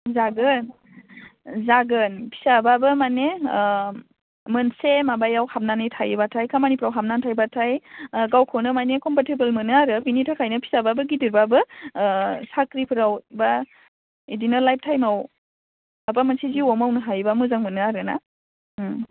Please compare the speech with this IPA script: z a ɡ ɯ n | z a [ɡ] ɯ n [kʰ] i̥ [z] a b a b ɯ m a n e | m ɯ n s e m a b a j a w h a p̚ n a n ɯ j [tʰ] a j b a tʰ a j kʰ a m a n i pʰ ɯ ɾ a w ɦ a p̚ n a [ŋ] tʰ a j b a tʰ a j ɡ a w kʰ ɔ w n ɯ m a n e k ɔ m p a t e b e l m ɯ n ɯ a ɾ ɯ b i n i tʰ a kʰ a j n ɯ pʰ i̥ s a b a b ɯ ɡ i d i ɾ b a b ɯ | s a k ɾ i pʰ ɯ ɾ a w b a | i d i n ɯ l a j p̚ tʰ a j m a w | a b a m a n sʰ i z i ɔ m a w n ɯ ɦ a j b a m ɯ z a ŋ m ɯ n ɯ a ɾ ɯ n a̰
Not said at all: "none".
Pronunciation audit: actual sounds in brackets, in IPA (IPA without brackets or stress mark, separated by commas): ɡ, pʰ, s, tʰ, n